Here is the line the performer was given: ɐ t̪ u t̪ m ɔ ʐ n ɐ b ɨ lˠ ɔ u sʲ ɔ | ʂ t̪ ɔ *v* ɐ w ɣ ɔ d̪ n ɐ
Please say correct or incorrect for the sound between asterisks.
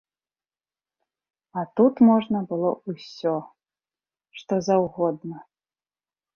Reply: incorrect